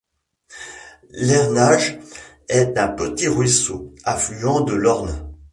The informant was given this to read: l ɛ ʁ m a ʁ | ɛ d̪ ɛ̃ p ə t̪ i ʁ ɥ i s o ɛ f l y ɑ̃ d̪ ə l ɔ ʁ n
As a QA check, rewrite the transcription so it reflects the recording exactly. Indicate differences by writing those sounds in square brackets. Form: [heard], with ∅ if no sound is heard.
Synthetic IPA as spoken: l ɛ ʁ [n] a [ʒ] | ɛ [t̪] ɛ̃ p ə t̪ i ʁ ɥ i s o [a] f l y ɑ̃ d̪ ə l ɔ ʁ n